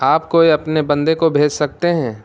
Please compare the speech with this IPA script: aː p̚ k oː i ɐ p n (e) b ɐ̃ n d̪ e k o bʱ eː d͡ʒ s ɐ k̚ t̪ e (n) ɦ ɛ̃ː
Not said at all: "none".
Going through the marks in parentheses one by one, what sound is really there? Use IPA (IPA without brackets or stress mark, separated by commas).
e, none